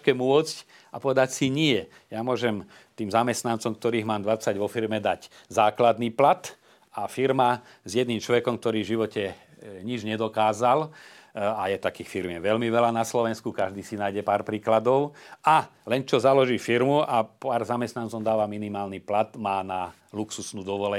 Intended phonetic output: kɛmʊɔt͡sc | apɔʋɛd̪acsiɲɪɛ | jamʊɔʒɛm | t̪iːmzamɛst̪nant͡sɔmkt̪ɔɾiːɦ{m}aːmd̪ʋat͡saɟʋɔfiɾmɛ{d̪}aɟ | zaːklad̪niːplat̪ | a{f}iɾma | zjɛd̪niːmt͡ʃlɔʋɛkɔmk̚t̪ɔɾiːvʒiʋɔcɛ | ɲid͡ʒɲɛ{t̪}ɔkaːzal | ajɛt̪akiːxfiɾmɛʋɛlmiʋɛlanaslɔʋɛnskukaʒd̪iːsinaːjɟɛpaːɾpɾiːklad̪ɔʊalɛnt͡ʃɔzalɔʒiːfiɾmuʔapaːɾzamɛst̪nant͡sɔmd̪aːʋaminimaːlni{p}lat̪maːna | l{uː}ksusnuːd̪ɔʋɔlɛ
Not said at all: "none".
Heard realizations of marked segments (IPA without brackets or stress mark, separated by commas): m, d̪, f, d̪, p, u